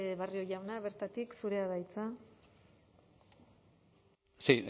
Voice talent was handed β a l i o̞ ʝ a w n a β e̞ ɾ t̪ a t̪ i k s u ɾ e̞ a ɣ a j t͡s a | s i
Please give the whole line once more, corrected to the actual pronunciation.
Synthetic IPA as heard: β a r i o̞ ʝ a w n a β e̞ ɾ t̪ a t̪ i k s u ɾ e̞ a ð a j t͡s a | s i